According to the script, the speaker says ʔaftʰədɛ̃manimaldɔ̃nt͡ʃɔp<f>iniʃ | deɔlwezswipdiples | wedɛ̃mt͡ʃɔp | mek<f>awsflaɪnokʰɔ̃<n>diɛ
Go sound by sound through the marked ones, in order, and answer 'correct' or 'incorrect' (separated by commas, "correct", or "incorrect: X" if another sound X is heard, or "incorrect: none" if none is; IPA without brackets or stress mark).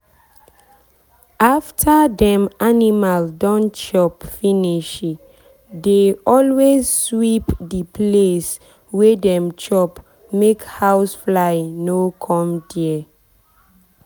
correct, incorrect: h, incorrect: m